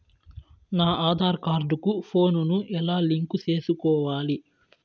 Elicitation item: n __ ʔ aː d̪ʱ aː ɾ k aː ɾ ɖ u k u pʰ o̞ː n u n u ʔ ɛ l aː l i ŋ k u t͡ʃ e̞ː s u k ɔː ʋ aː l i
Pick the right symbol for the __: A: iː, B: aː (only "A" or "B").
B